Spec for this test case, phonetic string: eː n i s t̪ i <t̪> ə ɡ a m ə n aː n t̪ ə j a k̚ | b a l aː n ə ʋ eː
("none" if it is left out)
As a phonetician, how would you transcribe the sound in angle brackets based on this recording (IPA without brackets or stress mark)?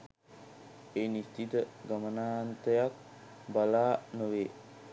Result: t̪